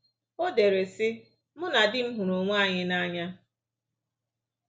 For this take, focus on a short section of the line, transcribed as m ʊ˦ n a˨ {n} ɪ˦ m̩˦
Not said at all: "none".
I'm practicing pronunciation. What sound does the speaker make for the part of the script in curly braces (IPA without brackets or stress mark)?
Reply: d